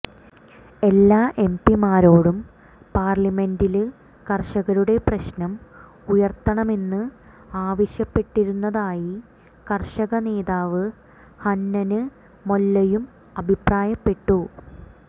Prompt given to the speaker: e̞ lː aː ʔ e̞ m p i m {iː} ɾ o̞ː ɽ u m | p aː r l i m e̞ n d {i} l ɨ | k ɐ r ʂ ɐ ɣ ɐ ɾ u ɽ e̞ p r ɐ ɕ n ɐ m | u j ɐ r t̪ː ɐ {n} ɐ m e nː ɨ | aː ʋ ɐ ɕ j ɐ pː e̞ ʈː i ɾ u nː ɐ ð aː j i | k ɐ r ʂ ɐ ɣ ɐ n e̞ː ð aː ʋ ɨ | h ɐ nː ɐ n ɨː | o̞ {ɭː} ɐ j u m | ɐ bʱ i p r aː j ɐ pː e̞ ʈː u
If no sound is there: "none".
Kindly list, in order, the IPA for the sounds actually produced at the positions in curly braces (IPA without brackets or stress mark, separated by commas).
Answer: aː, i, ɳ, lː